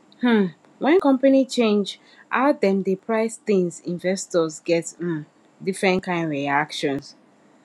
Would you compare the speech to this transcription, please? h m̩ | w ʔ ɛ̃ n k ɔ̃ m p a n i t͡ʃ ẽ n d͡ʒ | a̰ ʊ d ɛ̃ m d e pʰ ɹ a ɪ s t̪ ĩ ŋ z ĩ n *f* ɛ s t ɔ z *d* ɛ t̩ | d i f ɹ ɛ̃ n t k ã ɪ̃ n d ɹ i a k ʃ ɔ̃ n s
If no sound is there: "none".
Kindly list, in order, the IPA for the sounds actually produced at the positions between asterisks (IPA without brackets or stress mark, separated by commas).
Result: v, ɡ